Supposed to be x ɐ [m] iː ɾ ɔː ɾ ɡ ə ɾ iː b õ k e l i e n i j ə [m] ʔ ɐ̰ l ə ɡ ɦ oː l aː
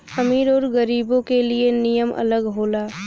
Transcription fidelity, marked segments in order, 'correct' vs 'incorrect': correct, correct

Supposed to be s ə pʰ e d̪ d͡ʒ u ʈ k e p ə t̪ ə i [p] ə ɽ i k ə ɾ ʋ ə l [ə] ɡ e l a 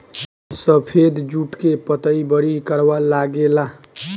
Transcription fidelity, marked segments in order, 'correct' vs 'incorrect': incorrect: b, incorrect: a

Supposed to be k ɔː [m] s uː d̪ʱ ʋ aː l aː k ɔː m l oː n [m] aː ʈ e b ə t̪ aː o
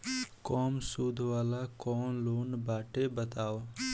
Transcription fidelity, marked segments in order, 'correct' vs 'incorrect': correct, incorrect: b

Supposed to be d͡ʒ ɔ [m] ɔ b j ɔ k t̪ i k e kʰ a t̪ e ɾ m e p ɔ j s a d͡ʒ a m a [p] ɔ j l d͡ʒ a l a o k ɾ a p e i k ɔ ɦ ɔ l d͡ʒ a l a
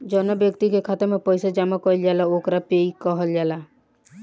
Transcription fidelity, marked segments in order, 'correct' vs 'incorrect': incorrect: n, incorrect: k

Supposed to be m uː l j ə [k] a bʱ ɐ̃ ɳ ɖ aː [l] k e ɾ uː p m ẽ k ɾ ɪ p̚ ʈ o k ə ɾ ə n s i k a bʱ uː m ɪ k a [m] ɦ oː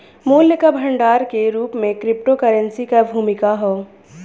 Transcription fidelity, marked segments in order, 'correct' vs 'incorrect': correct, incorrect: ɾ, incorrect: none

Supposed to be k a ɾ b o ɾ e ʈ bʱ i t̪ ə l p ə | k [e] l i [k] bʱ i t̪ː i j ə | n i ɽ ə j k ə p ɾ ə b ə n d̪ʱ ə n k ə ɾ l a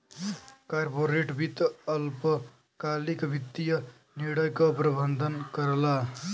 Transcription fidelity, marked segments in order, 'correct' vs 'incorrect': incorrect: a, correct

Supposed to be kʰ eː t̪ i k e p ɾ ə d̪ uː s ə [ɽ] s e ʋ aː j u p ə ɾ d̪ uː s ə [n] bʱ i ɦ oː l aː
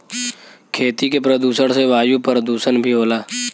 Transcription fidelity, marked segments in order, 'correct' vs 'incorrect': correct, correct

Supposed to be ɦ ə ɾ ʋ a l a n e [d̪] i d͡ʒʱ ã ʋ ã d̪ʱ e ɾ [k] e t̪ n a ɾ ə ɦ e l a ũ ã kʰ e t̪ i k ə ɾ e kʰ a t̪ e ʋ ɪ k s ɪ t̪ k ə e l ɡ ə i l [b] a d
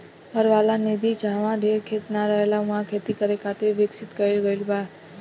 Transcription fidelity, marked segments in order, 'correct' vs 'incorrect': correct, incorrect: kʰ, correct

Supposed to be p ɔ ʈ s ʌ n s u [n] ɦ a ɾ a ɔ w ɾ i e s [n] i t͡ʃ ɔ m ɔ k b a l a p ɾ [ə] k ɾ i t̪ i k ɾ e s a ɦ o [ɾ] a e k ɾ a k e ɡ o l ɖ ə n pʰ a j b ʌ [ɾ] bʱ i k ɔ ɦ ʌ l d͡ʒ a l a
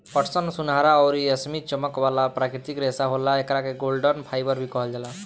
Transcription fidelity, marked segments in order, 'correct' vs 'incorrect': correct, incorrect: m, incorrect: a, incorrect: l, correct

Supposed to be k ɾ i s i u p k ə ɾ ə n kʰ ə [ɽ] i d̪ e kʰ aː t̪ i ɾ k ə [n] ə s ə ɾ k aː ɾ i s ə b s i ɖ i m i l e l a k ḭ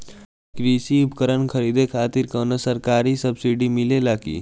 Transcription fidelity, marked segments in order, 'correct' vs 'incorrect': incorrect: ɾ, correct

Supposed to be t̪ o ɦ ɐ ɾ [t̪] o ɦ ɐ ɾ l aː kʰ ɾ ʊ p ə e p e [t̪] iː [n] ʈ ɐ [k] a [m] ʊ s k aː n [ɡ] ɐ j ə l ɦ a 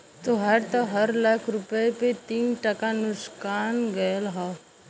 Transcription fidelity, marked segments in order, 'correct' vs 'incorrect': correct, correct, correct, correct, incorrect: n, correct

